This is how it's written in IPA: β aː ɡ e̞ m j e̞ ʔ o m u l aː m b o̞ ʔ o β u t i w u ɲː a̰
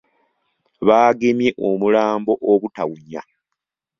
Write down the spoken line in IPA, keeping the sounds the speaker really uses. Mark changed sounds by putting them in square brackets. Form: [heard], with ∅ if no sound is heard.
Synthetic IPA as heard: β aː ɡ e̞ m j e̞ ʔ o m u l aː m b o̞ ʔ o β u t [a] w u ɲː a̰